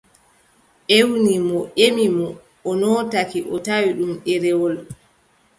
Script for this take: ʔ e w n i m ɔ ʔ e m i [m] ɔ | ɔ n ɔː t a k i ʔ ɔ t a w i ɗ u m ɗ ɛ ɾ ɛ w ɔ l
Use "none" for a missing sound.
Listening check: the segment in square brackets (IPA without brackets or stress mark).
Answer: m